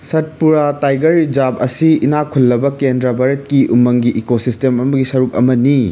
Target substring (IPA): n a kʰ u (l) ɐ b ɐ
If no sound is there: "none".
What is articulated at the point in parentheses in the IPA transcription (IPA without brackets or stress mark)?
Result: lː